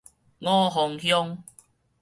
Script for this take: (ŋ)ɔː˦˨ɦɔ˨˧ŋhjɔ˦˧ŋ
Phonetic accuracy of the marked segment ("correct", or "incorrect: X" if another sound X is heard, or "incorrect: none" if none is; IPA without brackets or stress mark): correct